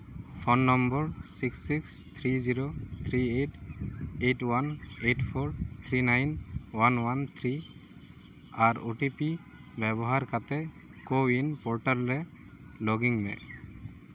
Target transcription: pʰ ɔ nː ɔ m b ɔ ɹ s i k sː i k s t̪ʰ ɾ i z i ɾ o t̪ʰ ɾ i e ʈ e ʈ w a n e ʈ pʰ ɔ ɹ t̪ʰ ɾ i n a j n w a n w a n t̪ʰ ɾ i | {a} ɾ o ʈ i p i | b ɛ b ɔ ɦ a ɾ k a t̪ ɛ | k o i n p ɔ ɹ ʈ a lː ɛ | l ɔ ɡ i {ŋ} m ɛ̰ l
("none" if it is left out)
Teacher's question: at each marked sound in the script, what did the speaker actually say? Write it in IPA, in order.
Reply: a, ŋ

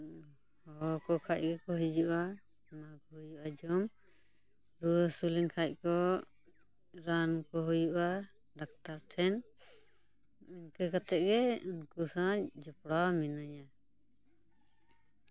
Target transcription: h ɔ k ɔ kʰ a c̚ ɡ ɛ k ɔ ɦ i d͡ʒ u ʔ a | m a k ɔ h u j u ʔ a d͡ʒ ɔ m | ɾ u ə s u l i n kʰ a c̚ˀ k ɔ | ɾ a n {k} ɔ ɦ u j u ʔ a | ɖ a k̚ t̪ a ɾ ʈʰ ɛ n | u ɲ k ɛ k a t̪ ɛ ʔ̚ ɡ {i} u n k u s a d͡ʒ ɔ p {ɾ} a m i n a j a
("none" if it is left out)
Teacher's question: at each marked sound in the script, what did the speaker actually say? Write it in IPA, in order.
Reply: k, ɛ, ɽ

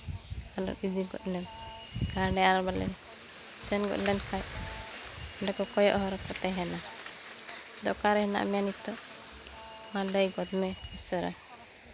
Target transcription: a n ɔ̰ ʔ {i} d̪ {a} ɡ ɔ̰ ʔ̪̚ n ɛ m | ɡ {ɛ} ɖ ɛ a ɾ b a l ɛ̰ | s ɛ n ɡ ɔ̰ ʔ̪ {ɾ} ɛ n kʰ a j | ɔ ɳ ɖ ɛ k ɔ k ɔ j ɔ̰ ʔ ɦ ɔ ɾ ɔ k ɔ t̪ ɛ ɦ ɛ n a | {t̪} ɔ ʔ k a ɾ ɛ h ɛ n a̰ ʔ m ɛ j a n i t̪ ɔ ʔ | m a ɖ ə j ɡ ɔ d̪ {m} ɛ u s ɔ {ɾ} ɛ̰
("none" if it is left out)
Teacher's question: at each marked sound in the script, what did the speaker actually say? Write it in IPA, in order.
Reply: i, i, a, l, d̪, m, ɾ

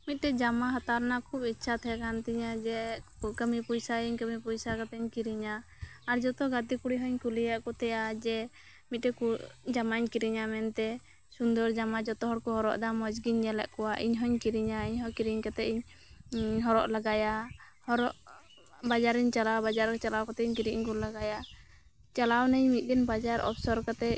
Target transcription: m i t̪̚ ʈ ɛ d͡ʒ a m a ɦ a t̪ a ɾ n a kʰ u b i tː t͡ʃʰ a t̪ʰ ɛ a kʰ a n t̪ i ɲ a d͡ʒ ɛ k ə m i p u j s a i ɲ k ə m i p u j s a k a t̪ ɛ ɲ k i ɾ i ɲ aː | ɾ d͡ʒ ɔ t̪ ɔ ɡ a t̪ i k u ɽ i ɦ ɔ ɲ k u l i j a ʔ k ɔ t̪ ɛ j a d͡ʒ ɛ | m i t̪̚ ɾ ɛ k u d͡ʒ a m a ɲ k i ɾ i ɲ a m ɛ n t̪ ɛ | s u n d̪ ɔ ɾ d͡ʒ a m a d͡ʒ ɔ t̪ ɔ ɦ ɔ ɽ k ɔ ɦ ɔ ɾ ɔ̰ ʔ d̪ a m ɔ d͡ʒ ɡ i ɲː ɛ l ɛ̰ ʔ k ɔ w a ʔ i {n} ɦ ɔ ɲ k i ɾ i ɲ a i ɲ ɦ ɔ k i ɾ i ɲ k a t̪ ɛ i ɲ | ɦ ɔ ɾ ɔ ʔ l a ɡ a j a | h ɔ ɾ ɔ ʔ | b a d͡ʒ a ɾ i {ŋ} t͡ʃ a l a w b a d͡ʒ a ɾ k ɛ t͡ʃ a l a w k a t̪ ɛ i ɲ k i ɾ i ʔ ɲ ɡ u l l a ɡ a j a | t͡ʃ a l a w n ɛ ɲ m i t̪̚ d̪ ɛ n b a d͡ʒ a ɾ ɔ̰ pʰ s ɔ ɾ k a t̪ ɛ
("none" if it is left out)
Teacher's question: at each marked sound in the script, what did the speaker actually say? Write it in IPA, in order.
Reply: ɲ, ɲ

